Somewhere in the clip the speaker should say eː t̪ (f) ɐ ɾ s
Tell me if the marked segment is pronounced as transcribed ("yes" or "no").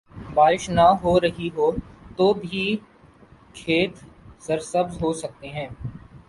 no